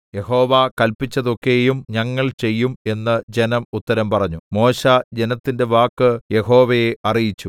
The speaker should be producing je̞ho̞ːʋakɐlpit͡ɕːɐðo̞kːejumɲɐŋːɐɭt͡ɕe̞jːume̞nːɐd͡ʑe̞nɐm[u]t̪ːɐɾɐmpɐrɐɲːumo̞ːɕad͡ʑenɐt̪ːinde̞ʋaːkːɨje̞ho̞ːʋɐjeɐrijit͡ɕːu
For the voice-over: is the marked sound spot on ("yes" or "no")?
yes